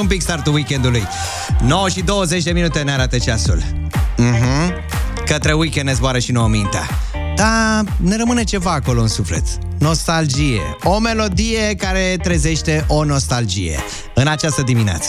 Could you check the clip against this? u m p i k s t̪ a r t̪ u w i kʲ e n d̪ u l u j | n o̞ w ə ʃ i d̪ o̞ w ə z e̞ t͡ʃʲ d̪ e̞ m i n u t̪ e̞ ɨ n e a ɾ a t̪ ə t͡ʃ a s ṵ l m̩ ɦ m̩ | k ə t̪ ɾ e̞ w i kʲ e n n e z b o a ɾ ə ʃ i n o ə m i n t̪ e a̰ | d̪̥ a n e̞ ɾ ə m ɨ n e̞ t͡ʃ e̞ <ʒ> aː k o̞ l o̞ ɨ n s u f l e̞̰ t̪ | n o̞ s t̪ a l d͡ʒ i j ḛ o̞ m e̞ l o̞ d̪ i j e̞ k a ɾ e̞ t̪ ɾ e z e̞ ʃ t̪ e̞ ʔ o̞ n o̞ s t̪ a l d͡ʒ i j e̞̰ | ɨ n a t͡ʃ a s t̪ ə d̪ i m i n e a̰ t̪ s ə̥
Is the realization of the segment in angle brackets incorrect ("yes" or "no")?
yes